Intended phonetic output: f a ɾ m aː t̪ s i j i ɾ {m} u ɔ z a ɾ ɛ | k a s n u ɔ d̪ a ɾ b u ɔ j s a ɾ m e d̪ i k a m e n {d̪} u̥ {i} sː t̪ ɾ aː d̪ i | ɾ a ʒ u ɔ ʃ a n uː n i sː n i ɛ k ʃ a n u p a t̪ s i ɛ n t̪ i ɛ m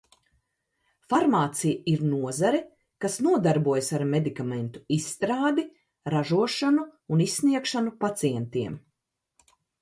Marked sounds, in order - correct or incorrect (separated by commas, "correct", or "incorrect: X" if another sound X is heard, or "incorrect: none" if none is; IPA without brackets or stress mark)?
incorrect: n, incorrect: t̪, correct